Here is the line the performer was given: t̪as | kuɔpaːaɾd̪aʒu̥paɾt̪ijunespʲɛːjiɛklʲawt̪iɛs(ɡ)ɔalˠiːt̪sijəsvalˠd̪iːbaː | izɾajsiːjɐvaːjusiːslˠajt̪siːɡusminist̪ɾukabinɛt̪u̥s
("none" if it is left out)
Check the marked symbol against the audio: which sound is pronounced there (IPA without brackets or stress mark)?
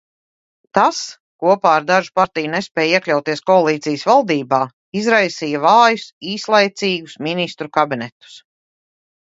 k